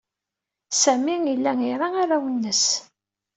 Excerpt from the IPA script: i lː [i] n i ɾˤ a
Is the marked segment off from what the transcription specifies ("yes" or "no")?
yes